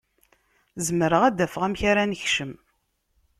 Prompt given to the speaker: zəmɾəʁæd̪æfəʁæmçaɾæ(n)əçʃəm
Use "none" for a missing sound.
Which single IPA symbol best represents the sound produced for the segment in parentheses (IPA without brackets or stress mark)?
n